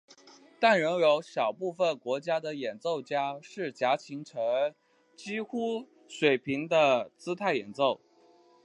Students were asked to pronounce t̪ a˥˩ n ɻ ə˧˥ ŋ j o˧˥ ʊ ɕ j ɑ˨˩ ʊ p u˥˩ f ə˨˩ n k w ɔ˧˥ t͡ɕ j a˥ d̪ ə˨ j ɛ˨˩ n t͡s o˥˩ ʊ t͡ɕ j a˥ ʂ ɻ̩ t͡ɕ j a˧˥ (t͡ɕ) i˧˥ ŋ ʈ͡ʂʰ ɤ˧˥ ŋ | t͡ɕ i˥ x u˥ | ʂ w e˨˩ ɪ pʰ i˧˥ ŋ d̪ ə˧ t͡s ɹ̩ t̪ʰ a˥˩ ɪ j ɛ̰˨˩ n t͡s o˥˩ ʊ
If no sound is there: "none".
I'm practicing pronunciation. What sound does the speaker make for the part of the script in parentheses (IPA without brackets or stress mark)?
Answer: t͡ɕʰ